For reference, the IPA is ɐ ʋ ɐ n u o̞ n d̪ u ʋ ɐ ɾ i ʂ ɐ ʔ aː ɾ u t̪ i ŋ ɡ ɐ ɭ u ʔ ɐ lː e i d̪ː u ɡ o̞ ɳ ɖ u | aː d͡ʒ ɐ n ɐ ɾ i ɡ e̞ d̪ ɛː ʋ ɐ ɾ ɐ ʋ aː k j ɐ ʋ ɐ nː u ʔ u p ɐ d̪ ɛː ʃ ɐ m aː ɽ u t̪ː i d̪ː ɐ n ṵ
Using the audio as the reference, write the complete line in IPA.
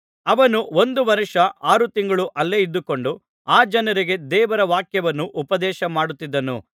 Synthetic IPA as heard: ɐ ʋ ɐ n u o̞ n d̪ u ʋ ɐ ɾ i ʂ ɐ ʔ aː ɾ u t̪ i ŋ ɡ ɐ ɭ u ʔ ɐ lː e i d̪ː u k o̞ ɳ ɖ u | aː d͡ʒ ɐ n ɐ ɾ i ɡ e̞ d̪ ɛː ʋ ɐ ɾ ɐ ʋ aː k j ɐ ʋ ɐ nː u ʔ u p ɐ d̪ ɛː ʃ ɐ m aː ɽ u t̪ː i d̪ː ɐ n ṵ

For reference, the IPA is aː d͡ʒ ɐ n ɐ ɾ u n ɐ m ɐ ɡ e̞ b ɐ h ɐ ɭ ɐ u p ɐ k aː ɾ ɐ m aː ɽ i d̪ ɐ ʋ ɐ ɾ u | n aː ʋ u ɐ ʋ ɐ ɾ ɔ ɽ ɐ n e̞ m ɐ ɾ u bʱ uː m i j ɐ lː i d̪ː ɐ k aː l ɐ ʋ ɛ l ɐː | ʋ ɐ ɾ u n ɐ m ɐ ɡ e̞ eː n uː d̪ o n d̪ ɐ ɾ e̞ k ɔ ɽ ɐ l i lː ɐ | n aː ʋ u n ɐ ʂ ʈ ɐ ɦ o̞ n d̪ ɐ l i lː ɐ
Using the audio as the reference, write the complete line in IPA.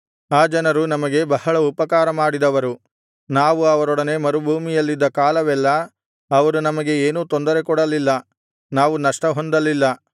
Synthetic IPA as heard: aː d͡ʒ ɐ n ɐ ɾ u n ɐ m ɐ ɡ e̞ b ɐ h ɐ ɭ ɐ u p ɐ k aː ɾ ɐ m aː ɽ i d̪ ɐ ʋ ɐ ɾ u | n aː ʋ u ɐ ʋ ɐ ɾ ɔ ɽ ɐ n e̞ m ɐ ɾ u bʱ uː m i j ɐ lː i d̪ː ɐ k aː l ɐ ʋ ɛ lː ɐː | ʋ ɐ ɾ u n ɐ m ɐ ɡ e̞ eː n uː t̪ o n d̪ ɐ ɾ e̞ k ɔ ɽ ɐ l i lː ɐ | n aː ʋ u n ɐ ʂ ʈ ɐ ɦ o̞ n d̪ ɐ l i lː ɐ

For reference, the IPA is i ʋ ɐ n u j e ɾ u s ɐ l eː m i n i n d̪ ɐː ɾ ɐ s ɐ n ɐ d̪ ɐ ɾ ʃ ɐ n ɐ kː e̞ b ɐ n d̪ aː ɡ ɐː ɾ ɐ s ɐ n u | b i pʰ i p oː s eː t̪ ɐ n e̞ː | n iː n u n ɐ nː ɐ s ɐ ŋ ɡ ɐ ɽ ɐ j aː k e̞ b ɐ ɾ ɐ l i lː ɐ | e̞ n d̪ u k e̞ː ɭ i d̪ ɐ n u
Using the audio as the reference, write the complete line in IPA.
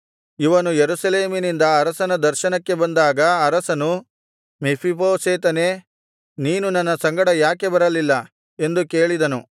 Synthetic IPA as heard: i ʋ ɐ n u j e ɾ u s ɐ l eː m i n i n d̪ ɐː ɾ ɐ s ɐ n ɐ d̪ ɐ ɾ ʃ ɐ n ɐ kː e̞ b ɐ n d̪ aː ɡ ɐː ɾ ɐ s ɐ n u | m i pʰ i p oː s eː t̪ ɐ n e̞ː | n iː n u n ɐ nː ɐ s ɐ ŋ ɡ ɐ ɽ ɐ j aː k e̞ b ɐ ɾ ɐ l i lː ɐ | e̞ n d̪ u k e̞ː ɭ i d̪ ɐ n u

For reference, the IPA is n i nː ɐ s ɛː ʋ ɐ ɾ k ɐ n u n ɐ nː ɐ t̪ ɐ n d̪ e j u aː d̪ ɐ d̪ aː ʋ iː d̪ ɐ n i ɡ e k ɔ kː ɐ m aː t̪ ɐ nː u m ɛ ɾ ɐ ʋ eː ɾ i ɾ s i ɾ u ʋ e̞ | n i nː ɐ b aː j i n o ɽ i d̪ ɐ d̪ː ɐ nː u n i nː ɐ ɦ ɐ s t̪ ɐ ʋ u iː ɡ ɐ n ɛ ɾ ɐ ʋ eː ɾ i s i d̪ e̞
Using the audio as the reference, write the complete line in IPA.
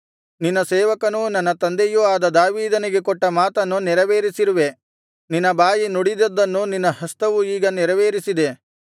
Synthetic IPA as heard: n i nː ɐ s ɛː ʋ ɐ k ɐ n u n ɐ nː ɐ t̪ ɐ n d̪ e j u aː d̪ ɐ d̪ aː ʋ iː d̪ ɐ n i ɡ e k ɔ ʈː ɐ m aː t̪ ɐ nː u n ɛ ɾ ɐ ʋ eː ɾ i s i ɾ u ʋ e̞ | n i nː ɐ b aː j i n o ɽ i d̪ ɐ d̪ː ɐ nː u n i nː ɐ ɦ ɐ s t̪ ɐ ʋ u iː ɡ ɐ n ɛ ɾ ɐ ʋ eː ɾ i s i d̪ e̞

